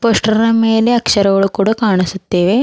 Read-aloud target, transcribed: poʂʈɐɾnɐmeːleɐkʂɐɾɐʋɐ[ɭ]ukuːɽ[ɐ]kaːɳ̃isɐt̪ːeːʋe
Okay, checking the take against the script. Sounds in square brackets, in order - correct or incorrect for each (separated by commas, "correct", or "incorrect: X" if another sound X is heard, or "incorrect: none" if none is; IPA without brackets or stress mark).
correct, incorrect: a